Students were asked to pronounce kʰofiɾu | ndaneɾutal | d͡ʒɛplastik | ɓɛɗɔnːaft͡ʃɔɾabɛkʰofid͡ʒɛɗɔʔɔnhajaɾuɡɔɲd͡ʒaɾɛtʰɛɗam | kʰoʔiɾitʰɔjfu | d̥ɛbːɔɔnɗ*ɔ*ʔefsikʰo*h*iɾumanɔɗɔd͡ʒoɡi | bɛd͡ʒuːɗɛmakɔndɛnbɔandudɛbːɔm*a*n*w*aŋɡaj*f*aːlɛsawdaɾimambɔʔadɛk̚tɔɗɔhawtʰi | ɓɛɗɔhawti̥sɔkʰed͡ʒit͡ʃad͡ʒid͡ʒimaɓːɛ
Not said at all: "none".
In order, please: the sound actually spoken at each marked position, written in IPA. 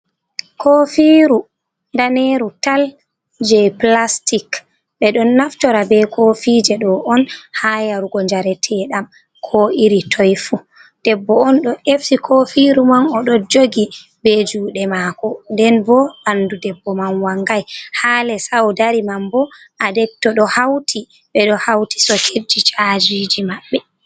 ɔ, f, a, w, h

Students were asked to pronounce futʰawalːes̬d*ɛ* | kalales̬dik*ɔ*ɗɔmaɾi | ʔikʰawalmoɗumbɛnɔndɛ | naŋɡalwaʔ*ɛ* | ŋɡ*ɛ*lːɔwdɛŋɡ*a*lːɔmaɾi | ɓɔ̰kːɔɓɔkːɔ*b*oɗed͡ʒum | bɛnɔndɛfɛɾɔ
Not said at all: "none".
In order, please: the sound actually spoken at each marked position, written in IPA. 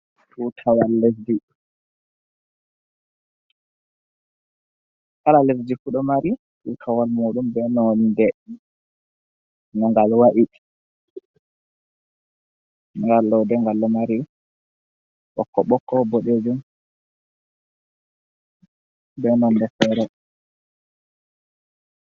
i, u, i, a, a, b

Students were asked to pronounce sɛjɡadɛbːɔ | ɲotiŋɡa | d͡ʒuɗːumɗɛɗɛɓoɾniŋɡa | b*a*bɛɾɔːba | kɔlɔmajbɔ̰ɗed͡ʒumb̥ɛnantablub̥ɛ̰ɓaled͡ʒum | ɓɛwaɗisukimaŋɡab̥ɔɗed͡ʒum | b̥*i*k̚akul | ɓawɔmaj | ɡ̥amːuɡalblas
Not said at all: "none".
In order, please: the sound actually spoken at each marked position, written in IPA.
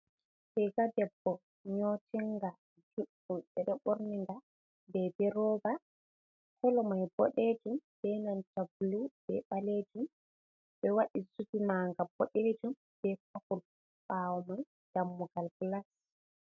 ɛ, ɛ

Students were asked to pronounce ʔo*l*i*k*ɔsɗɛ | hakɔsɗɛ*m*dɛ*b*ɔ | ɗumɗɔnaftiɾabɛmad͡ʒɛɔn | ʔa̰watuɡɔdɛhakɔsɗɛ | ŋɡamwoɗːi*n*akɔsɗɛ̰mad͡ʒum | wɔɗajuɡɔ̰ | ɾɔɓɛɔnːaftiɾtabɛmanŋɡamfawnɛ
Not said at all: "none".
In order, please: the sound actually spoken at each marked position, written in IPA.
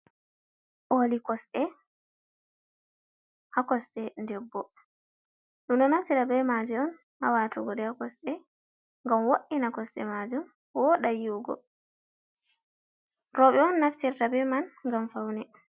l, k, n, bː, n

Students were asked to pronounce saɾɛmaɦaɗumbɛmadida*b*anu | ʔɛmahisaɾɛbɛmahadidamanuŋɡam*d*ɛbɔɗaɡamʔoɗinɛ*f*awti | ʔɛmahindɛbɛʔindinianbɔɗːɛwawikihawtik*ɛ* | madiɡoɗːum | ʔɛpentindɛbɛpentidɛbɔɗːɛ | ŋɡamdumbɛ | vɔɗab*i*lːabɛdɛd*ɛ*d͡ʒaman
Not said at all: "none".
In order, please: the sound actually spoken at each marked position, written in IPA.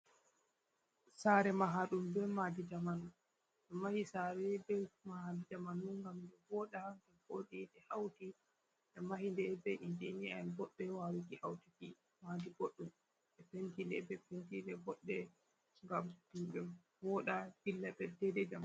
m, d, h, i, i, ɛ

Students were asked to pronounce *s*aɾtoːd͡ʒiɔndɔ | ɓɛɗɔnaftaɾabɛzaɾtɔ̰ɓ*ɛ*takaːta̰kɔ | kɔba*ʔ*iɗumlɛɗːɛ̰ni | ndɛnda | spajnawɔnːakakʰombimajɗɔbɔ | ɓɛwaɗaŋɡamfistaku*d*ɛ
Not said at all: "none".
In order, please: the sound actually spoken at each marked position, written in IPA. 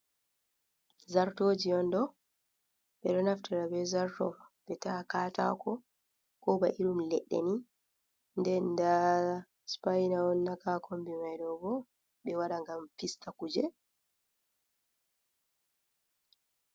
z, ɛ, ʔ, d͡ʒ

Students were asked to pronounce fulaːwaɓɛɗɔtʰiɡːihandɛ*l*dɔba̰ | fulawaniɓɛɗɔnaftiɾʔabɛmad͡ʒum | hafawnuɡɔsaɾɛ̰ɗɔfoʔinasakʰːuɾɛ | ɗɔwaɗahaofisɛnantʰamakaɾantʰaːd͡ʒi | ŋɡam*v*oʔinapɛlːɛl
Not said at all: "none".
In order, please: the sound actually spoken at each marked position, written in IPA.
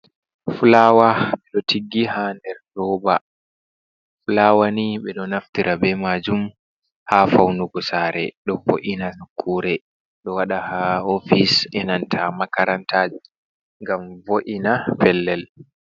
ɾ, v

